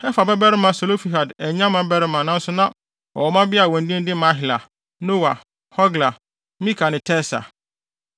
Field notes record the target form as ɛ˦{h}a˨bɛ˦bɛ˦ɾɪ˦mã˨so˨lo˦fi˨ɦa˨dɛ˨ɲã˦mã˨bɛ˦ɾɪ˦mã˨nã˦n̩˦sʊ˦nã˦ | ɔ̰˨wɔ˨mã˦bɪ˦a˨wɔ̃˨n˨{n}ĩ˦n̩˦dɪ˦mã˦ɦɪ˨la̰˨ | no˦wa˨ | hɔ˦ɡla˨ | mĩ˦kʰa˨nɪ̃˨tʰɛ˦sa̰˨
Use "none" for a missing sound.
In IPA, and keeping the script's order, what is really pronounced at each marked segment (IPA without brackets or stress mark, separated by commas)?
f, d